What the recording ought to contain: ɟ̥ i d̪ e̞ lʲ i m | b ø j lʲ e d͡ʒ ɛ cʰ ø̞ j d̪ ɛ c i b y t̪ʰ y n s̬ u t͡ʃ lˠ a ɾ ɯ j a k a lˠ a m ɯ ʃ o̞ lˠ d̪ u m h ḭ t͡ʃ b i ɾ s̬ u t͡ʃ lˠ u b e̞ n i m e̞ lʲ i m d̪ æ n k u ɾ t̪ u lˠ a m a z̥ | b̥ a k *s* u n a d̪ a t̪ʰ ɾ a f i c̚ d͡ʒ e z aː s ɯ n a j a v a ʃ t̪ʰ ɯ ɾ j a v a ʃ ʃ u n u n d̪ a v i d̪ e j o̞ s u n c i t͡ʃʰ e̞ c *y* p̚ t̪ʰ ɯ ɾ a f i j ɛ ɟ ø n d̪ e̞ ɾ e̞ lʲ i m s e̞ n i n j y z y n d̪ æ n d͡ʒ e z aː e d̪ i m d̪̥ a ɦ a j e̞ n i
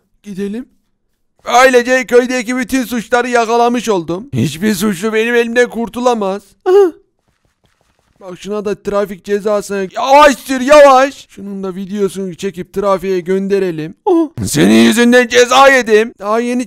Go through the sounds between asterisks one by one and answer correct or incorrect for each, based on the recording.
incorrect, incorrect

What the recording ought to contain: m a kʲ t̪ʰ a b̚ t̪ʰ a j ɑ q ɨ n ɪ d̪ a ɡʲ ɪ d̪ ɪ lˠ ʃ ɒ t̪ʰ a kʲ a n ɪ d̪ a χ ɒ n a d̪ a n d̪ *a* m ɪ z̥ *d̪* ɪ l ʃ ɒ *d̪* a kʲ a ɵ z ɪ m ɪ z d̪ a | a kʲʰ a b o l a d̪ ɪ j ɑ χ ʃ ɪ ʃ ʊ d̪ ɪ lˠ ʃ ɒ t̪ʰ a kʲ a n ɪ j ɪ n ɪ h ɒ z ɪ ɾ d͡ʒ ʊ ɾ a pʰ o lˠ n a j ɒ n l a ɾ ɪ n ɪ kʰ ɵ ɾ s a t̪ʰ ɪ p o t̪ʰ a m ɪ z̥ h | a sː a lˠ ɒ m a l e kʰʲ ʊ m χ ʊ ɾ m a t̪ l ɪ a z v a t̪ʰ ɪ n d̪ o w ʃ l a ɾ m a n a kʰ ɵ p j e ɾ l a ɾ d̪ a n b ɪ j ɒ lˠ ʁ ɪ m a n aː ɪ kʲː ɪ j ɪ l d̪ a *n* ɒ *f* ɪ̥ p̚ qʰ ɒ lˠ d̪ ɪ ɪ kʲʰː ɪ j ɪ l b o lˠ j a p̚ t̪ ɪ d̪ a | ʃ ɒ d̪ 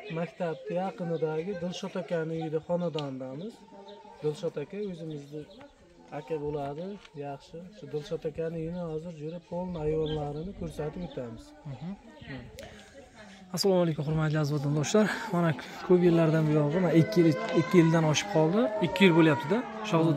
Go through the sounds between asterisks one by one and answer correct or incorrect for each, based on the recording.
correct, correct, incorrect, correct, incorrect

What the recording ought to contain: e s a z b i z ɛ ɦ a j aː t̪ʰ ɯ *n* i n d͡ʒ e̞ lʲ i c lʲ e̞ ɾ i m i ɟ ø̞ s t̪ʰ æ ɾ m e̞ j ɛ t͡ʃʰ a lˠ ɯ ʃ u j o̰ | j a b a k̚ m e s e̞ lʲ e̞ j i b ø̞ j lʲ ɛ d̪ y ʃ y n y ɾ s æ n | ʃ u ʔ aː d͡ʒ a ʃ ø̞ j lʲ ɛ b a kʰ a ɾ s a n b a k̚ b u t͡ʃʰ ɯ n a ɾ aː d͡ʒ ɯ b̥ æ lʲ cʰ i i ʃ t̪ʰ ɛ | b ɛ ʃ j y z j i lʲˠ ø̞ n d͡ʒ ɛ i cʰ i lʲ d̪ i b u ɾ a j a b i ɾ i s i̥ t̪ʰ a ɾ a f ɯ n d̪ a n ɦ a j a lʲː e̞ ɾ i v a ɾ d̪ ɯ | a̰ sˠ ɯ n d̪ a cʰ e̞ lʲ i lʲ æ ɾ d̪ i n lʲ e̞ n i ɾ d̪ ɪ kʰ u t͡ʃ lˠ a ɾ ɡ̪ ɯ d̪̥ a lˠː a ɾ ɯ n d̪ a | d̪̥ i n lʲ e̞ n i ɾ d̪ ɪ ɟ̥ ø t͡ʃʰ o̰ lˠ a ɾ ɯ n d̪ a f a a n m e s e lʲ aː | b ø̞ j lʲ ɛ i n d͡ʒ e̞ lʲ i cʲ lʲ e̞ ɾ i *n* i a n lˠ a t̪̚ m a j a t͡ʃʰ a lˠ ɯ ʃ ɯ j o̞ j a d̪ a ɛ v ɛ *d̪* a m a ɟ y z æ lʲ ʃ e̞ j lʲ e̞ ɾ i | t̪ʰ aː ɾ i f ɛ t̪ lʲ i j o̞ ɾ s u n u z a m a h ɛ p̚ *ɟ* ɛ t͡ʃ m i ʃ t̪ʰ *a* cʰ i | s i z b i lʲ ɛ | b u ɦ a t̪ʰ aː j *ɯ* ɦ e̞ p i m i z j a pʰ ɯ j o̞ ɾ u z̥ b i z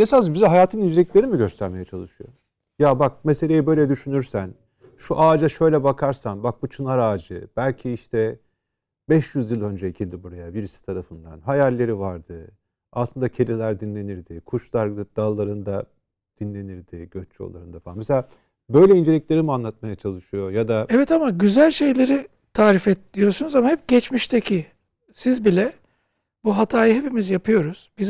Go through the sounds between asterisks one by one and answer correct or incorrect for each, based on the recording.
correct, incorrect, incorrect, correct, incorrect, correct

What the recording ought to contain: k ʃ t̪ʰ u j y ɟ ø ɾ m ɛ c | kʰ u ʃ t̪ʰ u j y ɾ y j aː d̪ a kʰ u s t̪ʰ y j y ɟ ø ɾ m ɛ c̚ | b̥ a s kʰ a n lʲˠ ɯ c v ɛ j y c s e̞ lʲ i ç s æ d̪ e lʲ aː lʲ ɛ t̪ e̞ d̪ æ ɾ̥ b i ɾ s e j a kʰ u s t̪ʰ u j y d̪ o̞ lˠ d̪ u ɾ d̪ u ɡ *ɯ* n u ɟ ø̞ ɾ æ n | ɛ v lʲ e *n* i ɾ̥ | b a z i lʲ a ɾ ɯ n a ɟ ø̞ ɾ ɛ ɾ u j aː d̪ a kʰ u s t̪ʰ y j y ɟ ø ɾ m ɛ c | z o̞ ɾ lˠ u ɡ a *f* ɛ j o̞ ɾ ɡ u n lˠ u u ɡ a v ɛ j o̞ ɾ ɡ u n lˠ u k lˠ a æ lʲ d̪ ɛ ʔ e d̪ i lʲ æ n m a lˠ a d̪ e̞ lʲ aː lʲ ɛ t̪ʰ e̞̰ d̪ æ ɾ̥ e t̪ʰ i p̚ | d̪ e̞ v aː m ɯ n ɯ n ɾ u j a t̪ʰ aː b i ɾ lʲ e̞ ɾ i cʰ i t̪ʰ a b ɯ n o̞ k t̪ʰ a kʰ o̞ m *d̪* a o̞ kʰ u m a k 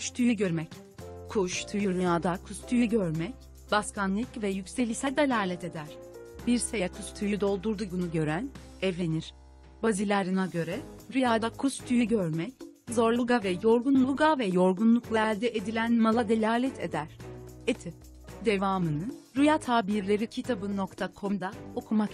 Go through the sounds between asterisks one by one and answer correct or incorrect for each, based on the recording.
incorrect, correct, incorrect, correct

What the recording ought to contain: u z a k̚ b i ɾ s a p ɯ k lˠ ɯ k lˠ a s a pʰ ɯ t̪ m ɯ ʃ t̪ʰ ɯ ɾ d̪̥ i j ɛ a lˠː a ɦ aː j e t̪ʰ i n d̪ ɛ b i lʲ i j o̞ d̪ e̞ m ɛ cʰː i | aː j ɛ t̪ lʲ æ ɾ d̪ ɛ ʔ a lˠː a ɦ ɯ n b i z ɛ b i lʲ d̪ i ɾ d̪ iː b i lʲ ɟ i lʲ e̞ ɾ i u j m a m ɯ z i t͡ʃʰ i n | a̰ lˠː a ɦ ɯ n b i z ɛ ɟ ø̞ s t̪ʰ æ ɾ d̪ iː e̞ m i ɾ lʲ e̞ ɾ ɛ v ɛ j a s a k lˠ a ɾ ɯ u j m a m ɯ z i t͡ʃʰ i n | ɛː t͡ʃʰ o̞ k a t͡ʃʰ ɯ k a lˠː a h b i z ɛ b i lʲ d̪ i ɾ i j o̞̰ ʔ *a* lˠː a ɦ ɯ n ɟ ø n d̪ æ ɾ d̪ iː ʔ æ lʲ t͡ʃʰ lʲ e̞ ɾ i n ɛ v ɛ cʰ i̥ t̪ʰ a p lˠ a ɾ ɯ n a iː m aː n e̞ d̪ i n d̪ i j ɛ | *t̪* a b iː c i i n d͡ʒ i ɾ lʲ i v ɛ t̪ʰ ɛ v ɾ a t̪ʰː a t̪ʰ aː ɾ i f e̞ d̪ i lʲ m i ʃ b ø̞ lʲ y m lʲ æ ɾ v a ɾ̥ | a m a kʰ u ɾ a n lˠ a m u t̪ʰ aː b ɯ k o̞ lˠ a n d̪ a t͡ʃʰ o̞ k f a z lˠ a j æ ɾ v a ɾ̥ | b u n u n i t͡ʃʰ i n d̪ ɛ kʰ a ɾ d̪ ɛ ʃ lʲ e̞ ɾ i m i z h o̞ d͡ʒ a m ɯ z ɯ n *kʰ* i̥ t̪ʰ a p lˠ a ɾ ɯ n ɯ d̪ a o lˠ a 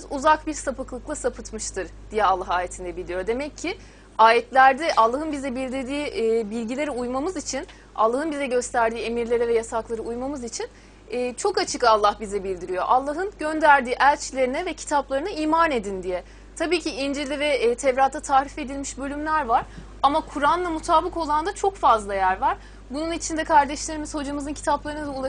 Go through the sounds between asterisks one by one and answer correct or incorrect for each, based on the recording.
correct, incorrect, incorrect

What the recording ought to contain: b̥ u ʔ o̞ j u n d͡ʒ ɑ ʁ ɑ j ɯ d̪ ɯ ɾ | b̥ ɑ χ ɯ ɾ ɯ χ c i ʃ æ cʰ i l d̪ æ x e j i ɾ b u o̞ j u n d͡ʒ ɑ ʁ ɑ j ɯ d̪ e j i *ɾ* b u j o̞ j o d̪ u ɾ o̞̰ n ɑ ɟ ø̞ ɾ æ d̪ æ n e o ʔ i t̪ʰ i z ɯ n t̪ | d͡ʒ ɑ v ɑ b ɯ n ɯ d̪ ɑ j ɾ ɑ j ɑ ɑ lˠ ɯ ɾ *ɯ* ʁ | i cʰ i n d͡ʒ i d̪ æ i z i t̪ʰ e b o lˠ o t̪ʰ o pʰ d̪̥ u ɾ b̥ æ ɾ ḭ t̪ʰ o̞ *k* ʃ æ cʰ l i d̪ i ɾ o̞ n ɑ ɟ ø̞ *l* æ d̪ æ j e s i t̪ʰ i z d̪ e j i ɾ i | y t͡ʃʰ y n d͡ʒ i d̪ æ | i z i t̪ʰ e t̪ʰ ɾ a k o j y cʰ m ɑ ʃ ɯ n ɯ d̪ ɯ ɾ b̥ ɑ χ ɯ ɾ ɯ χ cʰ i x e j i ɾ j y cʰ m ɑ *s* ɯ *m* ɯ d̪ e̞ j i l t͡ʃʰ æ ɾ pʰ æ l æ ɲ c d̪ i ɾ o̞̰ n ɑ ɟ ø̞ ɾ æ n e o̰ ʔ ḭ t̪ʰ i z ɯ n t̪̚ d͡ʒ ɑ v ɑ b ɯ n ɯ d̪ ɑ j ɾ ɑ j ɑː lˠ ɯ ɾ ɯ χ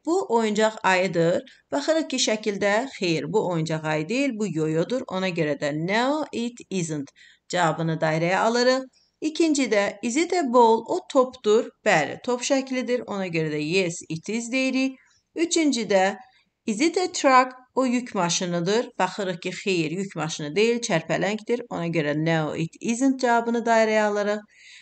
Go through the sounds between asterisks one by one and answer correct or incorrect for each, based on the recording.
incorrect, correct, incorrect, incorrect, incorrect, incorrect

